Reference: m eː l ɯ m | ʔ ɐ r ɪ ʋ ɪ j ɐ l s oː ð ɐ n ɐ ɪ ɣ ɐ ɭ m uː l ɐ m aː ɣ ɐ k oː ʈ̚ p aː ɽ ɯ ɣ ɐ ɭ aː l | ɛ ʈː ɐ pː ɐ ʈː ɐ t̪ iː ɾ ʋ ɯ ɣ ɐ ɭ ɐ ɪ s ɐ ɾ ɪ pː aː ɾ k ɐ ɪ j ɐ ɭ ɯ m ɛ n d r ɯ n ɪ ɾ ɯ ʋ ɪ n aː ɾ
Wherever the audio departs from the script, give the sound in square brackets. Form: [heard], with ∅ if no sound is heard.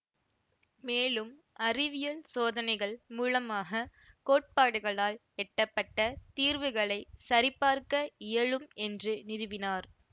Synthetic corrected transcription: m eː l ɯ m | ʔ ɐ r ɪ ʋ ɪ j ɐ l s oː ð ɐ n ɐ ɪ ɣ ɐ ɭ m uː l ɐ m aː ɣ ɐ k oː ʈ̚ p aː ɽ ɯ ɣ ɐ ɭ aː l | ɛ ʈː ɐ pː ɐ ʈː ɐ t̪ iː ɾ ʋ ɯ ɣ ɐ ɭ ɐ ɪ s ɐ ɾ ɪ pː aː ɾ k ɐ ɪ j ɐ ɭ ɯ m ɛ n d r ɯ n ɪ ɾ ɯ ʋ ɪ n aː ɾ